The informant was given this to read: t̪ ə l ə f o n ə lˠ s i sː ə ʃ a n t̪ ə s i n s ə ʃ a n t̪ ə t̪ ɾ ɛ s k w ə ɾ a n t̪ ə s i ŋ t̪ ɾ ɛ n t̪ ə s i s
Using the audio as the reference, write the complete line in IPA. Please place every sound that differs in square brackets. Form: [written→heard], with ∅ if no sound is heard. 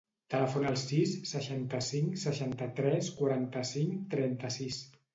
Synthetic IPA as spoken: t̪ ə l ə f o n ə lˠ s i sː ə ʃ a n t̪ ə s i [n→ŋ] s ə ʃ a n t̪ ə t̪ ɾ ɛ s k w [ə→a] ɾ a n t̪ ə s i ŋ t̪ ɾ ɛ n t̪ ə s i s